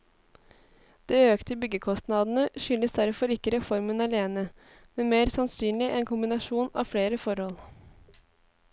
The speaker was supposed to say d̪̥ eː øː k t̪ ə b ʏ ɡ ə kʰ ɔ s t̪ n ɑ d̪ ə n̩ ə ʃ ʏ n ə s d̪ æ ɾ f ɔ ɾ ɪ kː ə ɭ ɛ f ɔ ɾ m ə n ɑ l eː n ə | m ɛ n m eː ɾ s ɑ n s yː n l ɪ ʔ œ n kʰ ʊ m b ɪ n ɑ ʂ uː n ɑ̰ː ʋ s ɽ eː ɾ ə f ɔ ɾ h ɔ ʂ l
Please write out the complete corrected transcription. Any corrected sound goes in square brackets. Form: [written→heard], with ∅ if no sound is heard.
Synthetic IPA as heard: d̪̥ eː øː k t̪ ə b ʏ ɡ ə kʰ ɔ s t̪ n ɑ d̪ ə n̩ ə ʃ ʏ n ə s d̪ æ ɾ f ɔ ɾ ɪ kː ə [ɭ→ɾ] ɛ f ɔ ɾ m ə n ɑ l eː n ə | m ɛ n m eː ɾ s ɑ n s yː n l ɪ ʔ [œ→ɛ] n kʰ ʊ m b ɪ n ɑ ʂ uː n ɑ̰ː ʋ [s→f] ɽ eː ɾ ə f ɔ ɾ h ɔ [ʂ→∅] l